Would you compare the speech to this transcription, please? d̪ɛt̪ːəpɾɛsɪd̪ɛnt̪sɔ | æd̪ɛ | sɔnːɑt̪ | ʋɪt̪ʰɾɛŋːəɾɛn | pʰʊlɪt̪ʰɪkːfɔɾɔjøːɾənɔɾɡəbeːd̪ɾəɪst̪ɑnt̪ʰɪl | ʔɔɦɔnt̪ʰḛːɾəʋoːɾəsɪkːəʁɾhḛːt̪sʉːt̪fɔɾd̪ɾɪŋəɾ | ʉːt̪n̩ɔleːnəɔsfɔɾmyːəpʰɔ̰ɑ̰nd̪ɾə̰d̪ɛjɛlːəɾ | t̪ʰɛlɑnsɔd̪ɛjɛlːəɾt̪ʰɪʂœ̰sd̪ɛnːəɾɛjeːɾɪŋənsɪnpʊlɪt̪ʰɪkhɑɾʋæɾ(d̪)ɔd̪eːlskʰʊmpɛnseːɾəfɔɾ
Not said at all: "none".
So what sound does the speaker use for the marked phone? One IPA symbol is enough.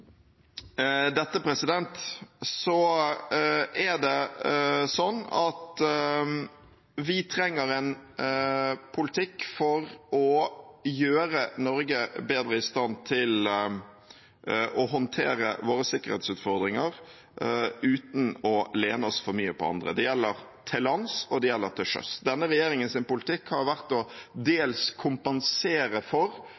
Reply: t̪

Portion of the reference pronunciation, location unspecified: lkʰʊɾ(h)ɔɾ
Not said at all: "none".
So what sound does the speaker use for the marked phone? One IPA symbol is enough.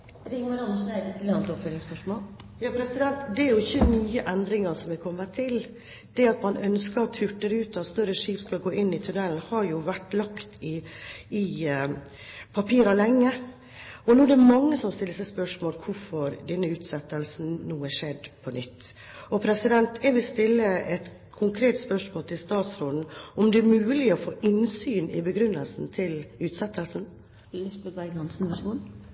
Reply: f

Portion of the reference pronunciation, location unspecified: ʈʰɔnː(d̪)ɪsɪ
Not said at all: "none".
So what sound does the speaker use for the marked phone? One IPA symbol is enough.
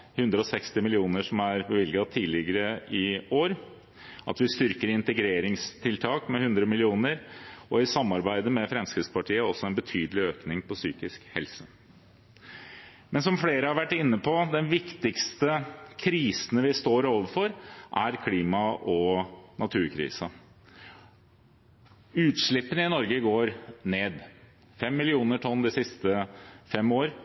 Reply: d̪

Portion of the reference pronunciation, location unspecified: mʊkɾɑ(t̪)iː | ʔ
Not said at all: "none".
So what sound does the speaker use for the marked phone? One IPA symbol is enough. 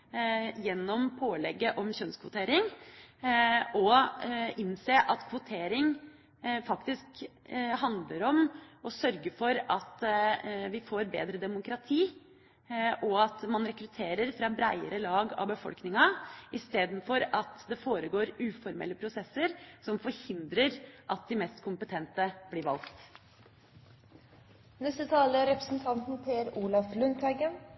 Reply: t̪ʰ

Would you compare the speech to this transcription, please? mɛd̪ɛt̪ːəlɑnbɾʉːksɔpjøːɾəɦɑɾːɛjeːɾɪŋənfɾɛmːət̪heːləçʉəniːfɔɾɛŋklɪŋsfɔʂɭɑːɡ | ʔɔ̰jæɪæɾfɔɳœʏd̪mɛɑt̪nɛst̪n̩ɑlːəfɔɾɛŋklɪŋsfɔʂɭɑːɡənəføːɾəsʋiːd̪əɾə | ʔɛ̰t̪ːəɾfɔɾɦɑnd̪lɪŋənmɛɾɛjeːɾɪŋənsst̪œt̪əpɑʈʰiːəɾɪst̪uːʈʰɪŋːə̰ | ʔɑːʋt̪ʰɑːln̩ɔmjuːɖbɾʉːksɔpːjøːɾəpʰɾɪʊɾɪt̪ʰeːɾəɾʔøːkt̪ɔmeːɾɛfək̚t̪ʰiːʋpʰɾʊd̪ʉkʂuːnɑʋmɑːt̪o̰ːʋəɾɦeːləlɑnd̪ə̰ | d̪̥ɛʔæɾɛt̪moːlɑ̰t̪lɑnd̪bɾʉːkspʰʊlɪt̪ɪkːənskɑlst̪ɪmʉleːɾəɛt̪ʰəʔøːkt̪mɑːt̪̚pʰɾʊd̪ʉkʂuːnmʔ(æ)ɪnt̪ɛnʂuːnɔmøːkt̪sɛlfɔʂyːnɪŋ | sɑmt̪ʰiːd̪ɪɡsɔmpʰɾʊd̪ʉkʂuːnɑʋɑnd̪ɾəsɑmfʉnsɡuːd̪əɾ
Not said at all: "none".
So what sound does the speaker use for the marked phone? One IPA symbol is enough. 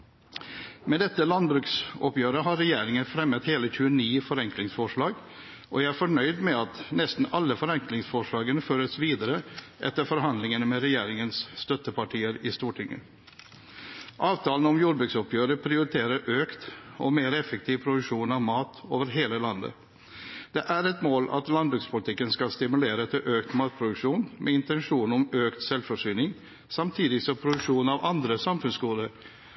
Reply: ɛ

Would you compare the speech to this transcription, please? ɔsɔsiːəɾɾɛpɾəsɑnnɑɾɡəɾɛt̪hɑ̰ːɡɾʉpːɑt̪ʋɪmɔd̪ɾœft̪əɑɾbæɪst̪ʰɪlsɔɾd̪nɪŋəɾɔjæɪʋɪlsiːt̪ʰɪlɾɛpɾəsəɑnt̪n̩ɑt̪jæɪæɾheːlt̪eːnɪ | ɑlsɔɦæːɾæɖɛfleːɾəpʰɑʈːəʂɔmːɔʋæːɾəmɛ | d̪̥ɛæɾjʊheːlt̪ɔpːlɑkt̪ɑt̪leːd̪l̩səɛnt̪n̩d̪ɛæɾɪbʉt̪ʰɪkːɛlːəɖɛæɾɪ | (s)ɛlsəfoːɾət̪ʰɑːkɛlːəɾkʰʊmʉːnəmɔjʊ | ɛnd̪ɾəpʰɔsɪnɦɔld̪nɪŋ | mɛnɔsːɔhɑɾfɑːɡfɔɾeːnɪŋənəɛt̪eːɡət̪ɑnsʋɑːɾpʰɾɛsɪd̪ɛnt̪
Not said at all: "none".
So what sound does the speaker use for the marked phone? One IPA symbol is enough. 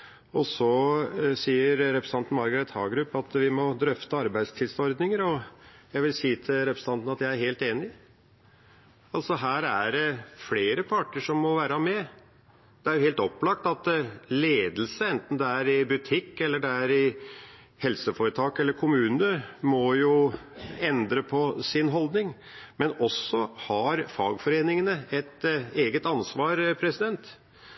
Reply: h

